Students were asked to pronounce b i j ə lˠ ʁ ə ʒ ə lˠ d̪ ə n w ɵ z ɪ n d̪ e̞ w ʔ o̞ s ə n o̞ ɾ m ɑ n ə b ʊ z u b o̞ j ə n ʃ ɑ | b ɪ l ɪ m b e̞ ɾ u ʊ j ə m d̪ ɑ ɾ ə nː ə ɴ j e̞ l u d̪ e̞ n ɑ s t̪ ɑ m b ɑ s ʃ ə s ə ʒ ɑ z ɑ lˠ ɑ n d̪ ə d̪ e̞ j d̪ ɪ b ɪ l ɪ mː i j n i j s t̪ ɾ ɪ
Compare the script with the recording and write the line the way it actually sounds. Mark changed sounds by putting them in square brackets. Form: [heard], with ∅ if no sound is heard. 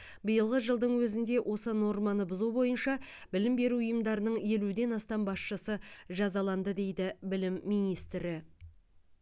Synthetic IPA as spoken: b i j ə lˠ ʁ ə ʒ ə lˠ d̪ ə [ɴ] w ɵ z ɪ n d̪ e̞ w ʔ o̞ s ə n o̞ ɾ m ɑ n ə b ʊ z u b o̞ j ə n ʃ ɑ | b ɪ l ɪ m b e̞ ɾ u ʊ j ə m d̪ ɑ ɾ ə [n] ə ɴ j e̞ l u d̪ e̞ n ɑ s t̪ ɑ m b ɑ s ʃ ə s ə ʒ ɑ z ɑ lˠ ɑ n d̪ ə d̪ e̞ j d̪ ɪ b ɪ l ɪ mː i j n i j s t̪ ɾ ɪ

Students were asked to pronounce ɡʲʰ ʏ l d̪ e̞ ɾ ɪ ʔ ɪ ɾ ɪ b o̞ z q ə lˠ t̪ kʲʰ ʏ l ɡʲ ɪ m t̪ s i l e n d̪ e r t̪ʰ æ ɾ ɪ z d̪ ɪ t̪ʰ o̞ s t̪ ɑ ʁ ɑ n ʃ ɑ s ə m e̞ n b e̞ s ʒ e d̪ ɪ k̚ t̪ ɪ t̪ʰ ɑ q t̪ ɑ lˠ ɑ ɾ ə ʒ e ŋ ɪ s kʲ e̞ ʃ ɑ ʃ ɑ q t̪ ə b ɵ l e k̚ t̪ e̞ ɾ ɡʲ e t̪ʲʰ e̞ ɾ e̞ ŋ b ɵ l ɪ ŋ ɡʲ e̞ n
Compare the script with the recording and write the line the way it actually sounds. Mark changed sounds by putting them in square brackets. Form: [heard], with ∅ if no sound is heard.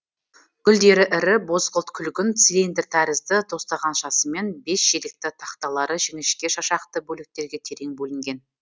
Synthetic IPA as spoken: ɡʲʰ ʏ l d̪ e̞ ɾ ɪ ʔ ɪ ɾ ɪ b o̞ z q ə lˠ t̪ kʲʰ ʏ l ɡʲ ɪ [n] t̪ s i l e n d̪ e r t̪ʰ æ ɾ ɪ z d̪ ɪ t̪ʰ o̞ s t̪ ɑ ʁ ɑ n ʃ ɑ s ə m e̞ n b e̞ s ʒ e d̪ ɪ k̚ t̪ ɪ t̪ʰ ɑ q t̪ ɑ lˠ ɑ ɾ ə ʒ e ŋ ɪ [ʃ] kʲ e̞ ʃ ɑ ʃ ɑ q t̪ ə b ɵ l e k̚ t̪ e̞ ɾ ɡʲ e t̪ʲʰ e̞ ɾ e̞ ŋ b ɵ l ɪ ŋ ɡʲ e̞ n

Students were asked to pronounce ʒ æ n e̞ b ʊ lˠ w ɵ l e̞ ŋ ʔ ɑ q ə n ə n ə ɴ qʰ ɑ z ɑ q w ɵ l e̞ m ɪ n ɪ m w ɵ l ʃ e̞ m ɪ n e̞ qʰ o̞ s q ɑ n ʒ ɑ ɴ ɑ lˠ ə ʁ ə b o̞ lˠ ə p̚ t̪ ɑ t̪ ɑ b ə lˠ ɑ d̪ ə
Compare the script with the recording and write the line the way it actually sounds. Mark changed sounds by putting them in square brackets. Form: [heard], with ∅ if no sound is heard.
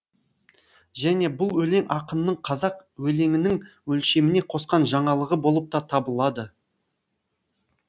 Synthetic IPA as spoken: ʒ æ n e̞ b ʊ lˠ w ɵ l e̞ ŋ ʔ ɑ q ə n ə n ə ɴ qʰ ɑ z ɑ q w ɵ l e̞ [ŋ] ɪ n ɪ [ŋ] w ɵ l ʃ e̞ m ɪ n e̞ qʰ o̞ s q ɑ n ʒ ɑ ɴ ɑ lˠ ə ʁ ə b o̞ lˠ ə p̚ t̪ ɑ [t̪ʰ] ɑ b ə lˠ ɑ d̪ ə

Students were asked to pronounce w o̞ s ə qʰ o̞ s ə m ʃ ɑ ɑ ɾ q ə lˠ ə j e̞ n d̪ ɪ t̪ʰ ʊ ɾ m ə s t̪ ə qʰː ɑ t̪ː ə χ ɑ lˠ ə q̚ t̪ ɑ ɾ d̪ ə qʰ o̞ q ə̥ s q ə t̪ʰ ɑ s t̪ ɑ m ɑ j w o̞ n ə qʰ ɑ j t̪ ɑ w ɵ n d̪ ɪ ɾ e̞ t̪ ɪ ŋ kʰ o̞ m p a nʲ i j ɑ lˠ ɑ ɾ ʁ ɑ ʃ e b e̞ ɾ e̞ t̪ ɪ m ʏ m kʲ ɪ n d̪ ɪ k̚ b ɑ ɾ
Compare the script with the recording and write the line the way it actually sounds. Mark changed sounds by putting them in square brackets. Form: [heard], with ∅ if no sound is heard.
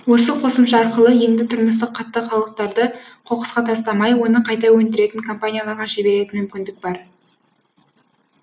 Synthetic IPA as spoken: w o̞ s ə qʰ o̞ s ə m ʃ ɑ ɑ ɾ q ə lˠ ə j e̞ n d̪ ɪ t̪ʰ ʊ ɾ m ə s t̪ ə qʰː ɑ t̪ː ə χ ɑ lˠ ə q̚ t̪ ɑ ɾ d̪ ə qʰ o̞ q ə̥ s q [ɑ] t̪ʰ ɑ s t̪ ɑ m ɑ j w o̞ n ə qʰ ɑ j t̪ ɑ w ɵ n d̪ ɪ ɾ e̞ t̪ ɪ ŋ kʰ o̞ m p a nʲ i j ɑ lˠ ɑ ɾ ʁ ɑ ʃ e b e̞ ɾ e̞ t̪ ɪ m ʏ m kʲ ɪ n d̪ ɪ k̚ b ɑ ɾ

